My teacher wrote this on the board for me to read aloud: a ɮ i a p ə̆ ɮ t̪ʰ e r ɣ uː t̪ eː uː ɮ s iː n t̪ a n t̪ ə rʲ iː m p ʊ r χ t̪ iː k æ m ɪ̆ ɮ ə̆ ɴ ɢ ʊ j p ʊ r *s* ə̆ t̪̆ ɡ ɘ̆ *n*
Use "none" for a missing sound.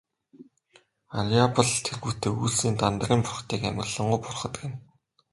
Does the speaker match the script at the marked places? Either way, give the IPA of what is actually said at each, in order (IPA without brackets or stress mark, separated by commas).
χ, n